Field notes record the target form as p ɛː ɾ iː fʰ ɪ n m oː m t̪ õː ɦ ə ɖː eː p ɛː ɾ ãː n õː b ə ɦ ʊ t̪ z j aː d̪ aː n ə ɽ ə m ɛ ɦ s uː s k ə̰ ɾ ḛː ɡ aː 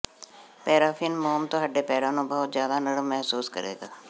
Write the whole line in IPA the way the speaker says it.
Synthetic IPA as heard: p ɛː ɾ aː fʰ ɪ n m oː m t̪ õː ɦ ə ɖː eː p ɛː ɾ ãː n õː b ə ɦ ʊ t̪ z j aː d̪ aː n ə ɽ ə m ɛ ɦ s uː s k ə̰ ɾ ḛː ɡ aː